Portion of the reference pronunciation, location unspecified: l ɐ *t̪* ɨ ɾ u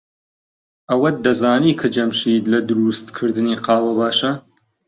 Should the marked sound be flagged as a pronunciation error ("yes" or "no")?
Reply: yes